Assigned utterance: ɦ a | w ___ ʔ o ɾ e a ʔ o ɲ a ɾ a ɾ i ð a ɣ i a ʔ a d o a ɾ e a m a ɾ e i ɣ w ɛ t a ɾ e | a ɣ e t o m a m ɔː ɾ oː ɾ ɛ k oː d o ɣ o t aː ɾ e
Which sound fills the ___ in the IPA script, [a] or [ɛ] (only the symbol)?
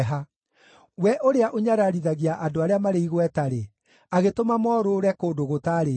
ɛ